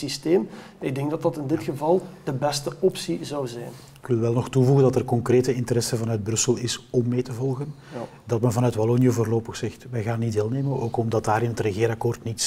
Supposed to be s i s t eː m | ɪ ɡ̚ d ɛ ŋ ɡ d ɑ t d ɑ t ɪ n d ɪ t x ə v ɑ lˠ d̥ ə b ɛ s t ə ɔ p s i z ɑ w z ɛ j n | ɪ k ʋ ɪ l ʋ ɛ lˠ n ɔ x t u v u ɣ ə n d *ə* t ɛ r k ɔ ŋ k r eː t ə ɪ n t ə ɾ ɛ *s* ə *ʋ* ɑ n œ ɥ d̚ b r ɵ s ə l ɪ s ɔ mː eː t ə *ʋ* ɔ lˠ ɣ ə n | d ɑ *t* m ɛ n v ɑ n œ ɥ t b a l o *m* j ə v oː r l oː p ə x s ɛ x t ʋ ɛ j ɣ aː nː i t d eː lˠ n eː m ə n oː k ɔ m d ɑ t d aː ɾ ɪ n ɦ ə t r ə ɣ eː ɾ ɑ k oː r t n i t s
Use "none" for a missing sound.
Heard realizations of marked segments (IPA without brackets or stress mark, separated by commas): ɑ, s, v, v, t, n